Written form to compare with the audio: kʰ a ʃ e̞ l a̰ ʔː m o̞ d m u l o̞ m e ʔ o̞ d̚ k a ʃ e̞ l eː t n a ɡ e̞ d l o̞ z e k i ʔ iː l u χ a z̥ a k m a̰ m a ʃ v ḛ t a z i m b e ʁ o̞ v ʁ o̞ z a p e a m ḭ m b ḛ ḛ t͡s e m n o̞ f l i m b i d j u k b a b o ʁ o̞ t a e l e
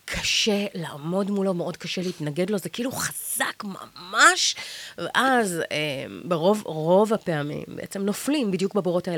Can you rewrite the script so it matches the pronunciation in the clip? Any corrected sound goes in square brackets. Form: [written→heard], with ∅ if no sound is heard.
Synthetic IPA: kʰ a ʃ e̞ l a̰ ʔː m o̞ d m u l o̞ m e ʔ o̞ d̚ k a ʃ e̞ l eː t n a ɡ e̞ d l o̞ z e k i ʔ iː l u χ a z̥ a k m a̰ m a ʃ v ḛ [t→ʔ] a z [i→e] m b e ʁ o̞ v ʁ o̞ [z→v] a p e a m ḭ m b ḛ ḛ t͡s e m n o̞ f l i m b i d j u k b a b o ʁ o̞ t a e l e